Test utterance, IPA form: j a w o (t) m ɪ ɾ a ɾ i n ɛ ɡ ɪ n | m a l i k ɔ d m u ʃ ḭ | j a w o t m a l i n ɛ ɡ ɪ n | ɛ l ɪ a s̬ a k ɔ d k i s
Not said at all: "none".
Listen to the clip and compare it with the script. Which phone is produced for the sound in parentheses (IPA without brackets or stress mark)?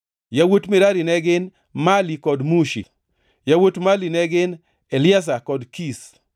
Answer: t